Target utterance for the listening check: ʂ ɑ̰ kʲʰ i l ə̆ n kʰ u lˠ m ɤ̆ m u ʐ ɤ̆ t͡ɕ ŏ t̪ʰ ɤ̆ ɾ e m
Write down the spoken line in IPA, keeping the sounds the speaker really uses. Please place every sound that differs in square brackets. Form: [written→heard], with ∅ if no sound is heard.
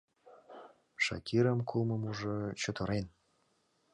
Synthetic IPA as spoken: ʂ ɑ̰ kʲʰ i [l→ɾ] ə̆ [n→m] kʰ u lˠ m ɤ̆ m u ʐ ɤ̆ t͡ɕ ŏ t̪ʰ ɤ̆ ɾ e [m→n]